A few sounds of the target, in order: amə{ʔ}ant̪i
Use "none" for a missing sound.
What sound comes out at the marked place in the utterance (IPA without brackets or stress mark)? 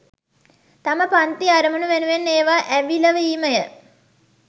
p